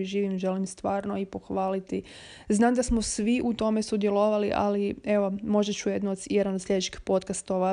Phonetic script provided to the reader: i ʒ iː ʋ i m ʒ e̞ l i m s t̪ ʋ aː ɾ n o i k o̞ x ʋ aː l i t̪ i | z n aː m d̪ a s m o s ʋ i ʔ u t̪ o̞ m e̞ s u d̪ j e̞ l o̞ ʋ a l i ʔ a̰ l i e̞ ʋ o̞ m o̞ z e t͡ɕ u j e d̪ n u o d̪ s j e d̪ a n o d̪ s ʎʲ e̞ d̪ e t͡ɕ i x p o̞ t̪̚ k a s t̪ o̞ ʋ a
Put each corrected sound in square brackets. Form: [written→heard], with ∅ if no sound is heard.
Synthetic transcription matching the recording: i ʒ iː ʋ i m ʒ e̞ l i m s t̪ ʋ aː ɾ n o i [k→p] o̞ x ʋ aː l i t̪ i | z n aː m d̪ a s m o s ʋ i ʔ u t̪ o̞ m e̞ s u d̪ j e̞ l o̞ ʋ a l i ʔ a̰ l i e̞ ʋ o̞ m o̞ [z→ʒ] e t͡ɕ u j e d̪ n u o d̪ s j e d̪ a n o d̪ s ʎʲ e̞ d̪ e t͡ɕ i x p o̞ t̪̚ k a s t̪ o̞ ʋ a